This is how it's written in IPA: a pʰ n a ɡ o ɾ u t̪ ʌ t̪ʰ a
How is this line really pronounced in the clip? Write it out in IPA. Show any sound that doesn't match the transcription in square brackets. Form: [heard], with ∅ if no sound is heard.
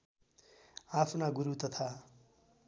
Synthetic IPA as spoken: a pʰ n a ɡ [u] ɾ u t̪ ʌ t̪ʰ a